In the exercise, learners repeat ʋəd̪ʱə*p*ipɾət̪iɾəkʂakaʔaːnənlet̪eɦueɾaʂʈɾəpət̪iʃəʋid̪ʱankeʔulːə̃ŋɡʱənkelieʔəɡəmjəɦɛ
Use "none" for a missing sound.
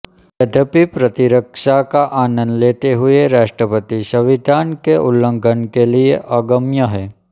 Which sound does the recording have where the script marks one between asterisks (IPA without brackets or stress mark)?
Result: p